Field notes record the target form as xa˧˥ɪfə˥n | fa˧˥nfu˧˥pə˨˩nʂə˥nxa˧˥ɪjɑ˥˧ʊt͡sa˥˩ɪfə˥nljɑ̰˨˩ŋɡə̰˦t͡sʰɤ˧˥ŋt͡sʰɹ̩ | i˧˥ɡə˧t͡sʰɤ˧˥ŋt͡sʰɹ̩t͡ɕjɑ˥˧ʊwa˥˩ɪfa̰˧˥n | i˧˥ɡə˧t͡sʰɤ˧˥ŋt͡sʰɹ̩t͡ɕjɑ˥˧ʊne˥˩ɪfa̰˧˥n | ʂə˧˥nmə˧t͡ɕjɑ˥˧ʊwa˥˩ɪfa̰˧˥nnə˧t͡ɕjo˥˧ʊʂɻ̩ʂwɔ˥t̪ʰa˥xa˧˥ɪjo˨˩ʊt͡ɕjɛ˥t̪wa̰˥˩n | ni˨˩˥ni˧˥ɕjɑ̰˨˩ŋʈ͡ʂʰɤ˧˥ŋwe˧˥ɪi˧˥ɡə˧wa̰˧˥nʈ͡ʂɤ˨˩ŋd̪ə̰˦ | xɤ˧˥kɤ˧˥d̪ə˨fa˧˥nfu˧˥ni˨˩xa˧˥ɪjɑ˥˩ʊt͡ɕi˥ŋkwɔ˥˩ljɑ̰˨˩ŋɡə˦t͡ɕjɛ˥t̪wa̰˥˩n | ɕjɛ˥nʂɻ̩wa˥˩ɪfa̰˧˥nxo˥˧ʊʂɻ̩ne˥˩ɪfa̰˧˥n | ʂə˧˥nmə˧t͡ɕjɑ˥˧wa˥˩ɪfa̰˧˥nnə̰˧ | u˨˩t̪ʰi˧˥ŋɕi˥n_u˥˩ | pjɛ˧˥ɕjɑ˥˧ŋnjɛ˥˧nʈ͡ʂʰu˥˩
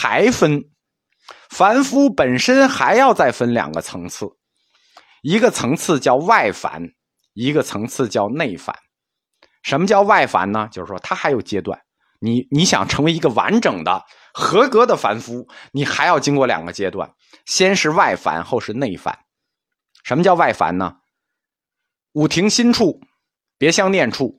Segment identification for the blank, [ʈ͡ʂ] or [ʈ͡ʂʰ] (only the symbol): ʈ͡ʂʰ